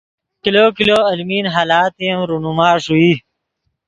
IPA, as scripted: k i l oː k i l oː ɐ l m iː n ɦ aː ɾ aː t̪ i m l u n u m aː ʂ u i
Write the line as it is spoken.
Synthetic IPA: k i l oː k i l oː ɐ l m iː n ɦ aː l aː t̪ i m ɾ u n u m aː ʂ u i